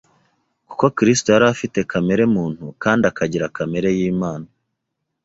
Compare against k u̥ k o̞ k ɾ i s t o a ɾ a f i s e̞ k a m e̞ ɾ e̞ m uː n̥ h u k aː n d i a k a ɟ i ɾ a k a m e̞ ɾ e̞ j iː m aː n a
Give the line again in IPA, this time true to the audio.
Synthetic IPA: k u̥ k o̞ k ɾ i s t o a ɾ a f i t e̞ k a m e̞ ɾ e̞ m uː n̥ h u k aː n d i a k a ɟ i ɾ a k a m e̞ ɾ e̞ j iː m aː n a